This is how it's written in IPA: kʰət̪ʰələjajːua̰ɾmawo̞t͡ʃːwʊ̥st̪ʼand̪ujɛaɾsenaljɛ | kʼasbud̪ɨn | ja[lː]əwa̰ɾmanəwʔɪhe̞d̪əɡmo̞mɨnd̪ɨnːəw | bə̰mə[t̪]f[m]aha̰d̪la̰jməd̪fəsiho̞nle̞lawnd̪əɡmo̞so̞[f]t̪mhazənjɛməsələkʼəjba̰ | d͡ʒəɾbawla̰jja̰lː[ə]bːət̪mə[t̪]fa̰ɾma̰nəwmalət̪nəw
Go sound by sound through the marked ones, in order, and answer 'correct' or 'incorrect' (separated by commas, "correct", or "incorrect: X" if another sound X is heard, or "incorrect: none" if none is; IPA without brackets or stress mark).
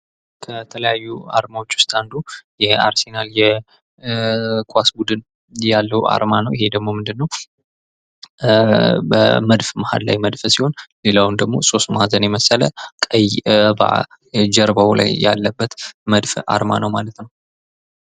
correct, incorrect: d̪, correct, incorrect: s, correct, incorrect: d̪